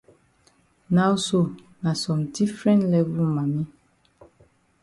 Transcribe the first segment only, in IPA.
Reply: n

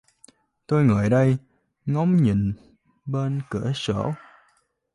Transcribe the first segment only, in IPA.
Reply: t̪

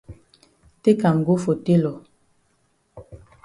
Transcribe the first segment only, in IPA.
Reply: t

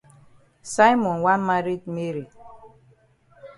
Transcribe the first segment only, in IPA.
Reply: s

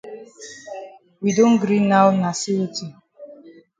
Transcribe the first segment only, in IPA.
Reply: w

